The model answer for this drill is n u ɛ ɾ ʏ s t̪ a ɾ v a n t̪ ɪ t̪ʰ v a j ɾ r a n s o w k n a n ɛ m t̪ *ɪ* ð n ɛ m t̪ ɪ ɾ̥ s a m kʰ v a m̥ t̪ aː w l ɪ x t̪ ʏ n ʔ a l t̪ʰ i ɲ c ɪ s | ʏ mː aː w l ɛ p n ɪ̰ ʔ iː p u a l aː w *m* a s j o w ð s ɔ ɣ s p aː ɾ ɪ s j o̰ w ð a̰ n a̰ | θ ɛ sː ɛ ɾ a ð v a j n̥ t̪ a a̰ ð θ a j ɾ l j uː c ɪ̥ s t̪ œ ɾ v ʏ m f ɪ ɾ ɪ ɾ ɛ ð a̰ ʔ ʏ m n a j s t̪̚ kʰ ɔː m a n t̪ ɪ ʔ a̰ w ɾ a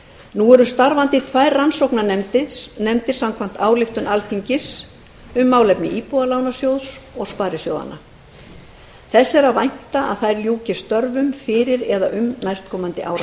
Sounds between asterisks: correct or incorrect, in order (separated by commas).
correct, incorrect